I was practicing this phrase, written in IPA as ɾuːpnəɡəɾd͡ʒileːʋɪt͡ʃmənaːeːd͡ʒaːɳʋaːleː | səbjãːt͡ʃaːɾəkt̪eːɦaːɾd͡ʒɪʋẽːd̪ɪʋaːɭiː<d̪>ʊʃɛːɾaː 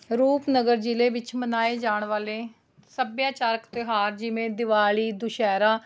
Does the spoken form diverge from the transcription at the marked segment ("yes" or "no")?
no